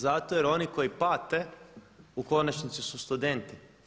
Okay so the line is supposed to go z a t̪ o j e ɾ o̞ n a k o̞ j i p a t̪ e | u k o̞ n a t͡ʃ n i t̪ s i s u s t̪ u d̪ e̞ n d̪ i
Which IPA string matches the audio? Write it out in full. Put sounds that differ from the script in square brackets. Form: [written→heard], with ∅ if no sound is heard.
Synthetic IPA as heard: z a t̪ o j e ɾ o̞ n [a→i] k o̞ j i p a t̪ e | u k o̞ n a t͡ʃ n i t̪ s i s u s t̪ u d̪ e̞ n [d̪→t̪] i